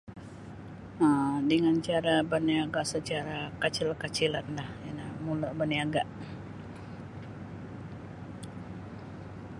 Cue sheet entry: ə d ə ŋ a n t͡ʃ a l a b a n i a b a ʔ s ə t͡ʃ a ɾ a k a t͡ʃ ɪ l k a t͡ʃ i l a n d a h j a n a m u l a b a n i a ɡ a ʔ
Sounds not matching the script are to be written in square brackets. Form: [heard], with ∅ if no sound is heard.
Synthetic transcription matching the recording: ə d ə ŋ a n t͡ʃ a [ɾ] a b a n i a [ɡ] a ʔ s ə t͡ʃ a ɾ a k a t͡ʃ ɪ l k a t͡ʃ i l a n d a h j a n a m u l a b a n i a ɡ a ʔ